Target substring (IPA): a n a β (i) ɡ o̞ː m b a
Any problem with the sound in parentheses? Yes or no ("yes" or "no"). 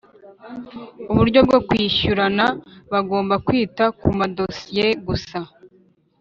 yes